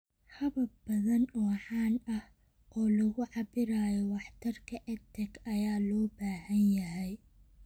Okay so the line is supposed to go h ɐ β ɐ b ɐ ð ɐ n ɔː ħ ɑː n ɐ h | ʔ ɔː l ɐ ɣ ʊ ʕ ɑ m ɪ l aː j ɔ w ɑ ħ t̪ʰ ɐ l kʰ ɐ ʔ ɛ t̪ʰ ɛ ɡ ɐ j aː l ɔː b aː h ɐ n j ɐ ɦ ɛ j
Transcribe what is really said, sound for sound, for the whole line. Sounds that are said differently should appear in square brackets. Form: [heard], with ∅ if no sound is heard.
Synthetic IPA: h ɐ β ɐ b ɐ ð ɐ n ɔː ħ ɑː n ɐ h | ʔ ɔː l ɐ ɣ ʊ ʕ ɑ [b] ɪ [ɾ] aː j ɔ w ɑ ħ t̪ʰ ɐ [r] kʰ ɐ ʔ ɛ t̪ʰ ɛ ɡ ɐ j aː l ɔː b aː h ɐ n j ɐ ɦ ɛ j